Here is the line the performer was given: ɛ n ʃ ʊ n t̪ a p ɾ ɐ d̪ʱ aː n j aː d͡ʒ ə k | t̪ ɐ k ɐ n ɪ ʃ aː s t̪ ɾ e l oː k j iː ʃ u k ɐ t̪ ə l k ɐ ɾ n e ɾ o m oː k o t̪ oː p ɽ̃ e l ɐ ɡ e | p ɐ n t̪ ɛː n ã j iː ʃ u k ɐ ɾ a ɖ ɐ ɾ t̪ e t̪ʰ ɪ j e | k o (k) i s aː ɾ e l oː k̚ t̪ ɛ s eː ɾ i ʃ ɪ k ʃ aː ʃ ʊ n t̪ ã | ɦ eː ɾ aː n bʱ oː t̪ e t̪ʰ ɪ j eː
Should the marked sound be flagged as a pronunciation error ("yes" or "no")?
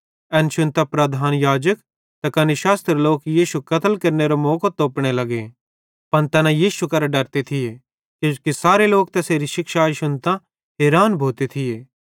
no